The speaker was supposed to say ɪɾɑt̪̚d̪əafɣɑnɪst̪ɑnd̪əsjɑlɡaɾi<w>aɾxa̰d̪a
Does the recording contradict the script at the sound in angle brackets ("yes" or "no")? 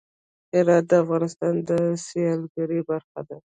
yes